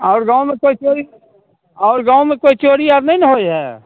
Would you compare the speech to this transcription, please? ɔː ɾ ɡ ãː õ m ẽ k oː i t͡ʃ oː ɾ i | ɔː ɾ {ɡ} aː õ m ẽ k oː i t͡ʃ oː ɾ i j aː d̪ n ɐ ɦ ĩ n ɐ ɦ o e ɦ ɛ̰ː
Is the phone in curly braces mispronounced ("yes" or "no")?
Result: no